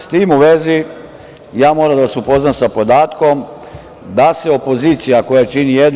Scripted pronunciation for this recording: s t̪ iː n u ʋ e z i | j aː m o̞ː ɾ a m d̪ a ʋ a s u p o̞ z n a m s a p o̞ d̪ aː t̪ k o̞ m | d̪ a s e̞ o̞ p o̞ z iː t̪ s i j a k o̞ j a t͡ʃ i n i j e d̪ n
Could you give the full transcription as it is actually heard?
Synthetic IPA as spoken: s t̪ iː m u ʋ e z i | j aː m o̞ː ɾ a m d̪ a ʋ a s u p o̞ z n a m s a p o̞ d̪ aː t̪ k o̞ m | d̪ a s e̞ o̞ p o̞ z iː t̪ s i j a k o̞ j a t͡ʃ i n i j e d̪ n

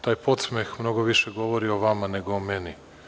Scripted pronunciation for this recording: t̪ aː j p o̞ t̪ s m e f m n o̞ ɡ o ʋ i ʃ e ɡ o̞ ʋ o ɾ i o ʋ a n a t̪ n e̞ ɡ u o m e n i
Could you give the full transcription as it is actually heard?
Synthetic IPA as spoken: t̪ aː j p o̞ t̪ s m e x m n o̞ ɡ o ʋ i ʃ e ɡ o̞ ʋ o ɾ i o ʋ a m a n e̞ ɡ o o m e n i

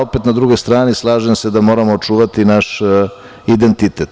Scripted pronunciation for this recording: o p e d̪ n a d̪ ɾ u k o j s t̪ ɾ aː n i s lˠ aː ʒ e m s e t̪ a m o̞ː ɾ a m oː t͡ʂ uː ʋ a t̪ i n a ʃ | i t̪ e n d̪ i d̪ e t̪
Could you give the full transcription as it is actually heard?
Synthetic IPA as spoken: o p e t̪ n a d̪ ɾ u ɡ o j s t̪ ɾ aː n i s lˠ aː ʒ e m s e d̪ a m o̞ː ɾ a m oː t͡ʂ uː ʋ a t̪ i n a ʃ | i d̪ e n t̪ i t̪ e t̪

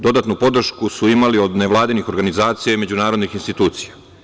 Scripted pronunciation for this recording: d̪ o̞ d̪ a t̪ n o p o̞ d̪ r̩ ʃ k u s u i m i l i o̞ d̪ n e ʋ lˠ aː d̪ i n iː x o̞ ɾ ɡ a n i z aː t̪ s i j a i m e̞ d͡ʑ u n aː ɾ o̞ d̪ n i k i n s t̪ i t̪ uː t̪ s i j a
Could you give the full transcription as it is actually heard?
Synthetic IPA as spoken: d̪ o̞ d̪ a t̪ n u p o̞ d̪ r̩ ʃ k u s u i m a l i o̞ d̪ n e ʋ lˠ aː d̪ i n i x o̞ ɾ ɡ a n i z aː t̪ s i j a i m e̞ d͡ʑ u n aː ɾ o̞ d̪ n i x i n s t̪ i t̪ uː t̪ s i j a

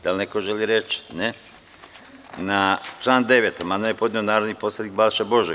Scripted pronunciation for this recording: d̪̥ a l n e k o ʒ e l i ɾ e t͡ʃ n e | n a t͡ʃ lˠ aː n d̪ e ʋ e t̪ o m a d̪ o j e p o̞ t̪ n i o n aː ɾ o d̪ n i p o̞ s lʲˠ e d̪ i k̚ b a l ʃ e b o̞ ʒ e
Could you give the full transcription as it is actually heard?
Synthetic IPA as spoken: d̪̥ a l n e k o ʒ e l i ɾ e t͡ʃ n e | n a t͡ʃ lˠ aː n d̪ e ʋ e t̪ o m a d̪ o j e p o̞ d̪ n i o n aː ɾ o d̪ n i p o̞ s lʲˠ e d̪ i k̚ b a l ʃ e b o̞ ʒ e

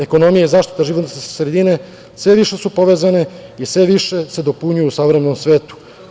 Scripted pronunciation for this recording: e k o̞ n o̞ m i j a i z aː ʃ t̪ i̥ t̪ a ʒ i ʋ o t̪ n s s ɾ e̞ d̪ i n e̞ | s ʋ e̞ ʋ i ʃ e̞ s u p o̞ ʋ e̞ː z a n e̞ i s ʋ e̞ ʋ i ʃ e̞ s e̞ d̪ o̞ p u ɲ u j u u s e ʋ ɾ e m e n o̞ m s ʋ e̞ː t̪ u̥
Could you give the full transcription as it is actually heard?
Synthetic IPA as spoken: e k o̞ n o̞ m i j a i z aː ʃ t̪ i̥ t̪ a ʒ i ʋ o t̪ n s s ɾ e̞ d̪ i n e̞ | s ʋ e̞ ʋ i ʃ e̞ s u p o̞ ʋ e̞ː z a n e̞ i s ʋ e̞ ʋ i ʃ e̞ s e̞ d̪ o̞ p u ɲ u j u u s a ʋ ɾ e m e n o̞ m s ʋ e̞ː t̪ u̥

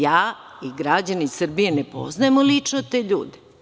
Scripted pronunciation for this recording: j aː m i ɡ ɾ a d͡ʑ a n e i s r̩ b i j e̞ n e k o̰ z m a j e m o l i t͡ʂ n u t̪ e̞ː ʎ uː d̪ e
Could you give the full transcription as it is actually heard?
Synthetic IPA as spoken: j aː i ɡ ɾ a d͡ʑ a n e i s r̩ b i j e̞ n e p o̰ z n a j e m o l i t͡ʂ n o t̪ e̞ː ʎ uː d̪ e

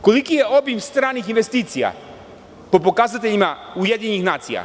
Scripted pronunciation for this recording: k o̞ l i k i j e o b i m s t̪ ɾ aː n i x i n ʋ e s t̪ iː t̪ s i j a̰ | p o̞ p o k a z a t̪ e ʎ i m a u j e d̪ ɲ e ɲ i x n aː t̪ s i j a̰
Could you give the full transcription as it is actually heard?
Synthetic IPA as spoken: k o̞ l i k i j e o b i m s t̪ ɾ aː n i x i n ʋ e s t̪ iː t̪ s i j a̰ | p o̞ p o k a z a t̪ e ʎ i m a u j e d̪ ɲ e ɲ i x n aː t̪ s i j a̰

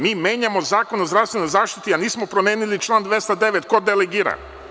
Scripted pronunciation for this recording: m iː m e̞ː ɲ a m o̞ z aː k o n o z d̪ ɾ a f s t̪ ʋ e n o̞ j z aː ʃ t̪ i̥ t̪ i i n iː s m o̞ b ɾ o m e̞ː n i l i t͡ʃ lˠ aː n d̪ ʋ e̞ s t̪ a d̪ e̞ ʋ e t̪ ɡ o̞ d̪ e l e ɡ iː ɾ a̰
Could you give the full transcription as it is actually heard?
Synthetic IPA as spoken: m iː m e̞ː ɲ a m o̞ z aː k o n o z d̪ ɾ a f s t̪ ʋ e n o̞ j z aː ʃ t̪ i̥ t̪ i a n iː s m o̞ p ɾ o m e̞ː n i l i t͡ʃ lˠ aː n d̪ ʋ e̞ s t̪ a d̪ e̞ ʋ e t̪ k o̞ d̪ e l e ɡ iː ɾ a̰

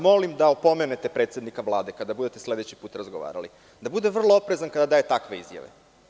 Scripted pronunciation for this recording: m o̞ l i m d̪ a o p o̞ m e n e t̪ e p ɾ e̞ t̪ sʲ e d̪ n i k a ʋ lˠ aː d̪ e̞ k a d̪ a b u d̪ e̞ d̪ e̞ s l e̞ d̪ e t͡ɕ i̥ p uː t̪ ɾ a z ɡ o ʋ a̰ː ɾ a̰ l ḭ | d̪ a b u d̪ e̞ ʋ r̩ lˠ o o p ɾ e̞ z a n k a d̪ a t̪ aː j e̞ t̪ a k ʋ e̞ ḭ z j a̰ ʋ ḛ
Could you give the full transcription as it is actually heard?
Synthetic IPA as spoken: m o̞ l i m d̪ a o p o̞ m e n e t̪ e p ɾ e̞ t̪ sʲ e d̪ n i k a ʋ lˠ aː d̪ e̞ k a d̪ a b u d̪ e̞ t̪ e̞ s l e̞ d̪ e t͡ɕ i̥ p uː t̪ ɾ a z ɡ o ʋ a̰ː ɾ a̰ l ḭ | d̪ a b u d̪ e̞ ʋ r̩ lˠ o o p ɾ e̞ z a n k a d̪ a d̪ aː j e̞ t̪ a k ʋ e̞ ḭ z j a̰ ʋ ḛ

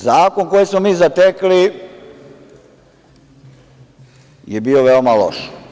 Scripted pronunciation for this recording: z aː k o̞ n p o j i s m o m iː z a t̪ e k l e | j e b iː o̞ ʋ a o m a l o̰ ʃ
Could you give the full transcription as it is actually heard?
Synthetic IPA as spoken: z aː k o̞ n k o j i s m o m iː z a t̪ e k l i | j e b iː o̞ ʋ e o m a l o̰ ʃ

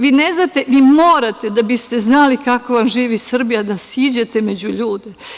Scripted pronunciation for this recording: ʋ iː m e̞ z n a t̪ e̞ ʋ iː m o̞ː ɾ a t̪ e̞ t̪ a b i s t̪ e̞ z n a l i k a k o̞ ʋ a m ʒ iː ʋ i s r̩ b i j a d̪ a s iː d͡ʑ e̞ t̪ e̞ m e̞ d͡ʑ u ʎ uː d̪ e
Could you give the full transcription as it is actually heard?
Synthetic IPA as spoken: ʋ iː n e̞ z n a t̪ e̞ ʋ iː m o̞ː ɾ a t̪ e̞ d̪ a b i s t̪ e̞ z n a l i k a k o̞ ʋ a m ʒ iː ʋ i s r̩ b i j a d̪ a s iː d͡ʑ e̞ t̪ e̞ m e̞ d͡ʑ u ʎ uː d̪ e

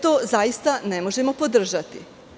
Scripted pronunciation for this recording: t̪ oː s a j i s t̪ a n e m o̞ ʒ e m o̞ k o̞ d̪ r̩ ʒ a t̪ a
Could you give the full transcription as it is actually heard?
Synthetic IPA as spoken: t̪ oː z a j i s t̪ a n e m o̞ ʒ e m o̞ p o̞ d̪ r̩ ʒ a t̪ i

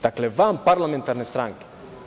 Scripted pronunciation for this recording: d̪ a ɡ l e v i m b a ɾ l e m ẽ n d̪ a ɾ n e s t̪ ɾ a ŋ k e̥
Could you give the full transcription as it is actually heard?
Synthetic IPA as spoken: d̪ a k l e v a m p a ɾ l a m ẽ n t̪ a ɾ n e s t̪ ɾ a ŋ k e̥

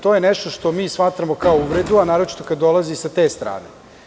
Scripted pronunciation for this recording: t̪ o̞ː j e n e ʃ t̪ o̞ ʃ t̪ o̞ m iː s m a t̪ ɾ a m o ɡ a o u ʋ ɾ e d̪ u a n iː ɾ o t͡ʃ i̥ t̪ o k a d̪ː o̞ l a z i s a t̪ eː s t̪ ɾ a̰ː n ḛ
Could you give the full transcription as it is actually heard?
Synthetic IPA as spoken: t̪ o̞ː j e n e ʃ t̪ o̞ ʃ t̪ o̞ m iː s m a t̪ ɾ a m o k a o u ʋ ɾ e d̪ u a n aː ɾ o t͡ʃ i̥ t̪ o k a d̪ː o̞ l a z i s a t̪ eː s t̪ ɾ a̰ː n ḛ

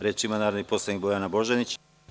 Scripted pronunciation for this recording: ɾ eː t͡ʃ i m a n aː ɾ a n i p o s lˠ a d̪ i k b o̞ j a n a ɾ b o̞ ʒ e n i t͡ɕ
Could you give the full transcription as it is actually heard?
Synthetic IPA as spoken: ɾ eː t͡ʃ i m a n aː ɾ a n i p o s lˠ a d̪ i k b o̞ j a n a b o̞ ʒ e n i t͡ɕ

